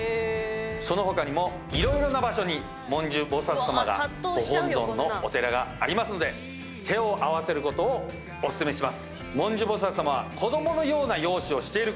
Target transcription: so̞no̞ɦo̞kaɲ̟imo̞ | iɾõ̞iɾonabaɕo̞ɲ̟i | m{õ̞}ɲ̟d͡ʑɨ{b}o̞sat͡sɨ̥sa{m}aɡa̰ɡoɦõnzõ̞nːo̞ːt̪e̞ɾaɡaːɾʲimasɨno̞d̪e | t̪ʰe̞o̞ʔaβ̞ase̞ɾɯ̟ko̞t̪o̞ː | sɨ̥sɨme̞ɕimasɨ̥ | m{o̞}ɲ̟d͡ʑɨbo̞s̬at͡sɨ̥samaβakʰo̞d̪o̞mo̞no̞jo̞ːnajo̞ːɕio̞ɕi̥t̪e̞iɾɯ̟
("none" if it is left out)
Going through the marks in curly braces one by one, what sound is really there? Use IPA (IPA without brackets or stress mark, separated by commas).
õ̞, b, m, õ̞